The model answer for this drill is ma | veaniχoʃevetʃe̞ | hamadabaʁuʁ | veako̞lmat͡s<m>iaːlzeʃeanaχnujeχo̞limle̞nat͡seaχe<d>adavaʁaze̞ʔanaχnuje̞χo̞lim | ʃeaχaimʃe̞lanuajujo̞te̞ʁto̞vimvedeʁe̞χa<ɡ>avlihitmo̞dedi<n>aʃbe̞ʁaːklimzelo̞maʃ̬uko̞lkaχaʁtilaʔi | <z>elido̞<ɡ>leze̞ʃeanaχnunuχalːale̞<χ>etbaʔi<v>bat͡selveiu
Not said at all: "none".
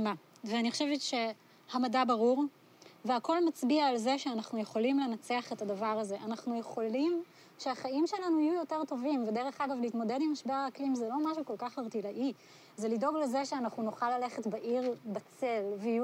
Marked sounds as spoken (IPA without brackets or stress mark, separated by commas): b, t, ɡ, m, z, ɡ, χ, ʁ